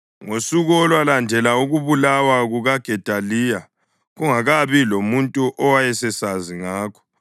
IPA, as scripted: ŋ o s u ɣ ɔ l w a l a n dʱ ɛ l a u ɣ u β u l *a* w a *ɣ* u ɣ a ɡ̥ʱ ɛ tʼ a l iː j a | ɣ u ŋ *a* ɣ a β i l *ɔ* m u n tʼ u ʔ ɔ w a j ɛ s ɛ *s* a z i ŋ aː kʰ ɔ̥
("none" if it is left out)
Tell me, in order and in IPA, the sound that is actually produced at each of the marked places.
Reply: a, ɣ, a, o, s

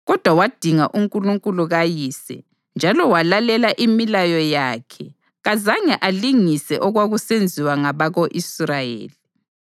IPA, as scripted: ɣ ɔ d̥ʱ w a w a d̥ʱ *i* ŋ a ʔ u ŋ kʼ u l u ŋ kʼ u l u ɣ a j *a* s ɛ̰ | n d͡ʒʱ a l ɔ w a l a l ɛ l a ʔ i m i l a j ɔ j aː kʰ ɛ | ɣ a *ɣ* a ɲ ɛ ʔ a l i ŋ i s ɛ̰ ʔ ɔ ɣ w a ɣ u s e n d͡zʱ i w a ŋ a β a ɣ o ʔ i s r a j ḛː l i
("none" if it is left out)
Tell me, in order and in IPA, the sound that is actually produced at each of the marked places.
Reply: i, i, z

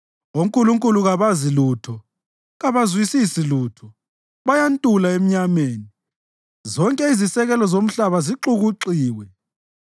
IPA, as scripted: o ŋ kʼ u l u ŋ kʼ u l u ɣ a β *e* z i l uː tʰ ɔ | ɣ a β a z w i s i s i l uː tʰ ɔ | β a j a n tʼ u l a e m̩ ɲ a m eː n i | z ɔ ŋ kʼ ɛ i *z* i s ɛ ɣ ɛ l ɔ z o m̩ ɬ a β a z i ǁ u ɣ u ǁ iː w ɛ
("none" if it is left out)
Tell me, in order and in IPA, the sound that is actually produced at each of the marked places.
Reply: a, z

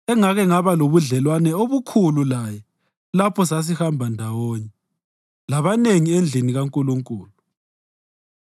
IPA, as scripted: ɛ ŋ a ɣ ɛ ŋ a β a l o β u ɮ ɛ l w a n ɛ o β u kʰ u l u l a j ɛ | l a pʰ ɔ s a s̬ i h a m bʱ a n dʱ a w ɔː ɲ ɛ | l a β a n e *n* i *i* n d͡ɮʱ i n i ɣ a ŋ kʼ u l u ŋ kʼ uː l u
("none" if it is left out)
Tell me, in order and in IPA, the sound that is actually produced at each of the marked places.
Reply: ŋ, e

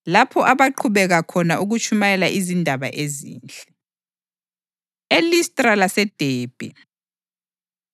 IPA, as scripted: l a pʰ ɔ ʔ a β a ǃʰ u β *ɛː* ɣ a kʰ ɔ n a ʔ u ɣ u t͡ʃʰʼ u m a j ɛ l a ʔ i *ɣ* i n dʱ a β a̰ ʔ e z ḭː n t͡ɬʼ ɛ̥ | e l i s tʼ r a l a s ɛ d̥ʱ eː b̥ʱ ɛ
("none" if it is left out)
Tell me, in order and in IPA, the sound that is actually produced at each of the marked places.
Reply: ɛ, z

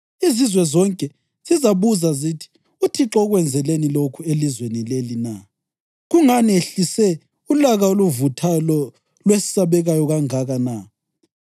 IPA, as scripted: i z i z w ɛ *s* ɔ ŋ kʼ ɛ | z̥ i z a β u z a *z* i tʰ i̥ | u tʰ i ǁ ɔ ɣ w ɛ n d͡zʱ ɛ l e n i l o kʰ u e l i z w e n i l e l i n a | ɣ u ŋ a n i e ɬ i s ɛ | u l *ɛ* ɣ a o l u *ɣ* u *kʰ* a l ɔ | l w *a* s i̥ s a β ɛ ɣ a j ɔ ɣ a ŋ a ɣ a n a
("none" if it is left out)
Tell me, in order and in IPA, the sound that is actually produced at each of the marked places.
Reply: z, z, a, v, tʰ, e

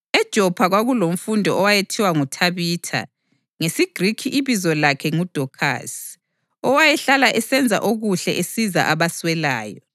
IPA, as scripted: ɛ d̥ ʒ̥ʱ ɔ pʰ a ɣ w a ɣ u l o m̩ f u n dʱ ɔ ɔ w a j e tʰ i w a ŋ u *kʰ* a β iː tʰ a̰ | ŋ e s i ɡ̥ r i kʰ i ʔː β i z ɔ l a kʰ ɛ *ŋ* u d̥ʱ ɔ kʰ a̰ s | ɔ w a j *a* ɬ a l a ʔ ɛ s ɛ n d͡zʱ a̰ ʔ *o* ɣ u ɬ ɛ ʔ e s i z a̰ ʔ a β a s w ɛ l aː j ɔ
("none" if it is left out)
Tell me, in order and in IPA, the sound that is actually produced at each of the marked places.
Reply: tʰ, ŋ, ɛ, o

